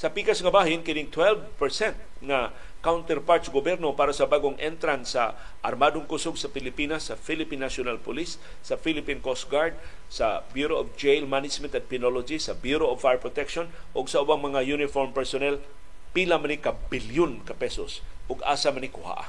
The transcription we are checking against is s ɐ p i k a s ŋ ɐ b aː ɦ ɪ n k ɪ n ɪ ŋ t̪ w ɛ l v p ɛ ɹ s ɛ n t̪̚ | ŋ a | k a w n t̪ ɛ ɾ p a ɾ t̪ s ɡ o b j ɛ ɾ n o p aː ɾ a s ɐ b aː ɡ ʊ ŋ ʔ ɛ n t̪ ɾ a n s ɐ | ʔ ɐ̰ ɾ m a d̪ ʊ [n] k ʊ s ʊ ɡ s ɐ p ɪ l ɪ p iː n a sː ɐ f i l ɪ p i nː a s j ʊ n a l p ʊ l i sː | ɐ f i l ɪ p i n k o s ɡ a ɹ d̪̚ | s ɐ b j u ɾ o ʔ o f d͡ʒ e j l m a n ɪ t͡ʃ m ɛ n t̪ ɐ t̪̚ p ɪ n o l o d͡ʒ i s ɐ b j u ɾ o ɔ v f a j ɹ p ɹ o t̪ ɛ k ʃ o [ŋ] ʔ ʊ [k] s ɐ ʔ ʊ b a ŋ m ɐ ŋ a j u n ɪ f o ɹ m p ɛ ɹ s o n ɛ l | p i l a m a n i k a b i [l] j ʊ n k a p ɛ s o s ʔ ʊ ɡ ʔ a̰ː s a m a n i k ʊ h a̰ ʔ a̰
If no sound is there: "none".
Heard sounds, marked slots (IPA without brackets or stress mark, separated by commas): ŋ, n, ɡ, l